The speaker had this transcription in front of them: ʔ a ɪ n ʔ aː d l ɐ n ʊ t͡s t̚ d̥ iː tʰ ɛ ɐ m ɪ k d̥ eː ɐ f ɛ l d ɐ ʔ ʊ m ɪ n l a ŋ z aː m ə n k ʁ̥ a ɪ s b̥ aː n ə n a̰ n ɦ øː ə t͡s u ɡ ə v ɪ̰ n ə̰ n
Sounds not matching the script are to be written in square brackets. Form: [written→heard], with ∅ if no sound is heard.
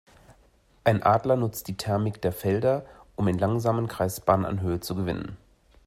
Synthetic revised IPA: ʔ a ɪ n ʔ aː d l ɐ n ʊ t͡s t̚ d̥ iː tʰ ɛ ɐ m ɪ k d̥ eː ɐ f ɛ l d ɐ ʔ ʊ m ɪ n l a ŋ z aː m ə n k ʁ̥ a ɪ s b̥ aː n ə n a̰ n ɦ øː ə t͡s u ɡ ə v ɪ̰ n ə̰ n